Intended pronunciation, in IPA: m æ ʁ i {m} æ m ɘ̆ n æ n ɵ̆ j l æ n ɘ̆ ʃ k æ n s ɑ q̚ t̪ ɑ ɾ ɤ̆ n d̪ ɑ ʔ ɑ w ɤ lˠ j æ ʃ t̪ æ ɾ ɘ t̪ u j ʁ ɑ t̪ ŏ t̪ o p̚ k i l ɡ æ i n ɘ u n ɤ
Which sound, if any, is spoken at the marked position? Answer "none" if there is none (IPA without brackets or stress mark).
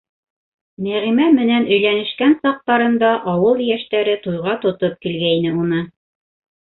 m